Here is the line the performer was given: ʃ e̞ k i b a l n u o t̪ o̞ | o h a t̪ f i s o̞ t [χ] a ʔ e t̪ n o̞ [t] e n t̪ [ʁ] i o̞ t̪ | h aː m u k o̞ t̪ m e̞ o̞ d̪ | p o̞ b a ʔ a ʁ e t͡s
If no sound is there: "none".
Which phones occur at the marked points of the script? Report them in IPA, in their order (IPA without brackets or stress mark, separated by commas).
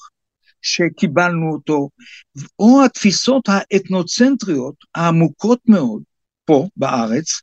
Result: h, t͡s, ʁ